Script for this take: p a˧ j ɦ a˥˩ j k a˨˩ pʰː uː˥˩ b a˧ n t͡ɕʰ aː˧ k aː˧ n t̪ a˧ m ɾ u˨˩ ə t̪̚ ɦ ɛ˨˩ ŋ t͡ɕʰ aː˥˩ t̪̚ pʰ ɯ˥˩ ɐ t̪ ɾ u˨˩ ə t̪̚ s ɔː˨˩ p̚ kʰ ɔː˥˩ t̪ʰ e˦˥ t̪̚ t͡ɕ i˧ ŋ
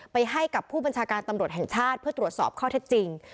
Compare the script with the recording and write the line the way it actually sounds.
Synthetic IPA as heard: p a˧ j ɦ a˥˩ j k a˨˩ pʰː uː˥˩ b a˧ n t͡ɕʰ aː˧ k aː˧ n t̪ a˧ m ɾ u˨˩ ə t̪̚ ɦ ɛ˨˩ ŋ t͡ɕʰ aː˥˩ t̪̚ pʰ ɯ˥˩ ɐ t̪ ɾ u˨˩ ə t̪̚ s ɔː˨˩ p̚ kʰ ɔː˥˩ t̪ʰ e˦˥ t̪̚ t͡ɕ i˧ ŋ